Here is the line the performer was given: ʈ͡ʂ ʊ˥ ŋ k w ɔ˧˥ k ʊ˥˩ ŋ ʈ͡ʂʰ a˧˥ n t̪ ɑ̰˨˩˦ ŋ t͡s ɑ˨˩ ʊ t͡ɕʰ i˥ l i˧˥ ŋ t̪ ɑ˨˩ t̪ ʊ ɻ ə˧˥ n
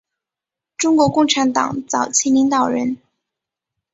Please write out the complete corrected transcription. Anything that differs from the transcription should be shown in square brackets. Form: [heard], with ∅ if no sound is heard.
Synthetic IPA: ʈ͡ʂ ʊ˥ ŋ k w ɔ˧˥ k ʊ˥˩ ŋ ʈ͡ʂʰ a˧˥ n t̪ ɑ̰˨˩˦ ŋ t͡s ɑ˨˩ ʊ t͡ɕʰ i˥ l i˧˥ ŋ t̪ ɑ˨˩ [∅] ʊ ɻ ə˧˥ n